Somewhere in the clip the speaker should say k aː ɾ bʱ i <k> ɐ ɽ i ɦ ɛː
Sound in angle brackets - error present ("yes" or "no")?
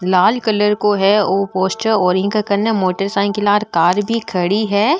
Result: yes